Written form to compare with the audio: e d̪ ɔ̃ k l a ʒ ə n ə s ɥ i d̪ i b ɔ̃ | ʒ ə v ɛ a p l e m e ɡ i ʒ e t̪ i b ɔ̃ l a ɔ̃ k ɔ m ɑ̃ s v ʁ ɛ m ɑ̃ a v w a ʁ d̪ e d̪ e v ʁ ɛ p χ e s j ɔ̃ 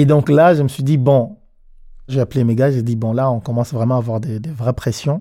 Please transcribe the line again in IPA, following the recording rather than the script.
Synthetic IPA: e d̪ ɔ̃ k l a ʒ ə m ə s ɥ i d̪ i b ɔ̃ | ʒ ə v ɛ a p l e m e ɡ a ʒ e d̪ i b ɔ̃ l a ɔ̃ k ɔ m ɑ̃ s v ʁ ɛ m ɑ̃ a v w a ʁ d̪ e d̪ e v ʁ ɛ p χ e s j ɔ̃